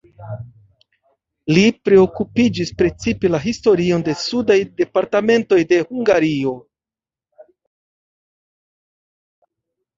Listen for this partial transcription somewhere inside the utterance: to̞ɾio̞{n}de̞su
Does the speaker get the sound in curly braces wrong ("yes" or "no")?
no